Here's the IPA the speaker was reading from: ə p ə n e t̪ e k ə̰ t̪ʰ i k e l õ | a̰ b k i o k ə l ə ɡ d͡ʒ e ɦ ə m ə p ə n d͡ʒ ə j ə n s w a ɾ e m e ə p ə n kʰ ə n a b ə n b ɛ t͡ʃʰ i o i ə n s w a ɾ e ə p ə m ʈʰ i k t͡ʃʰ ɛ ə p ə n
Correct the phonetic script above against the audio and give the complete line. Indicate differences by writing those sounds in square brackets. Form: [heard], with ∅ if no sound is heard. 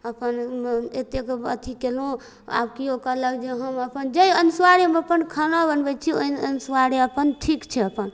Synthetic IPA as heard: ə p ə n e t̪ e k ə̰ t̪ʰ i k e l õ | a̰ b k i o k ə l ə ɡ d͡ʒ e ɦ ə m ə p ə n d͡ʒ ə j ə n s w a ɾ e m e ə p ə n kʰ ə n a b ə n b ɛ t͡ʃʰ i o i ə n s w a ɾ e ə p ə [n] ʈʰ i k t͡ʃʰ ɛ ə p ə n